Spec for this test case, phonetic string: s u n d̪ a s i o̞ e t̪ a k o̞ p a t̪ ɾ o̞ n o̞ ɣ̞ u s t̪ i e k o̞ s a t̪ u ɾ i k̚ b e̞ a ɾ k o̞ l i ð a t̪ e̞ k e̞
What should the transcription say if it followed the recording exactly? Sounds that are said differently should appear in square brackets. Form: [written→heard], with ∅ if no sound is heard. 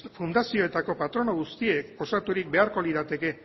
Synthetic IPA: [s→f] u n d̪ a s i o̞ e t̪ a k o̞ p a t̪ ɾ o̞ n o̞ ɣ̞ u s t̪ i e k o̞ s a t̪ u ɾ i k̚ b e̞ a ɾ k o̞ l i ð a t̪ e̞ k e̞